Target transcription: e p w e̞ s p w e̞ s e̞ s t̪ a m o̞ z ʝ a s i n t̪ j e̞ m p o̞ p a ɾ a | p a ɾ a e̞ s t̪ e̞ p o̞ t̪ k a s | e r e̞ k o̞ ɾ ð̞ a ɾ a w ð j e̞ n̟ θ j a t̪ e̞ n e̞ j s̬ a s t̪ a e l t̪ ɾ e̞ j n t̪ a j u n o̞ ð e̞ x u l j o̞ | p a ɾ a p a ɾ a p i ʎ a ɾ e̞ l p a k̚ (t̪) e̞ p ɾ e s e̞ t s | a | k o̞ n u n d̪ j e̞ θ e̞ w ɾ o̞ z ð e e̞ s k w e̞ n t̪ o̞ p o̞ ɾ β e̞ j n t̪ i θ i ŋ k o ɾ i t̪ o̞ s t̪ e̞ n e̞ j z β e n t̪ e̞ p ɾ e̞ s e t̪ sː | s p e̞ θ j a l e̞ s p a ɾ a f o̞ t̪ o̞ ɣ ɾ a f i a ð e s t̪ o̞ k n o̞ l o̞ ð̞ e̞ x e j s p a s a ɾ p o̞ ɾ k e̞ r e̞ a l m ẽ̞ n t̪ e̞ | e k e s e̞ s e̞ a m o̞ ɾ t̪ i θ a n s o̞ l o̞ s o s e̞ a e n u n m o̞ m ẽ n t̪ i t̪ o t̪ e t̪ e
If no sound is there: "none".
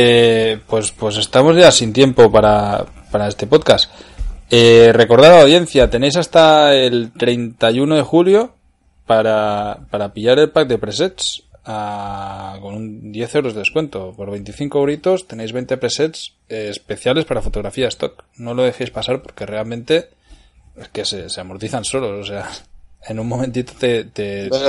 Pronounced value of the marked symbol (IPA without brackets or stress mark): d̪